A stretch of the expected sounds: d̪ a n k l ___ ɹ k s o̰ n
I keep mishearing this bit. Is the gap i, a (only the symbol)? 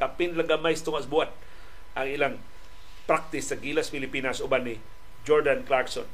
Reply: a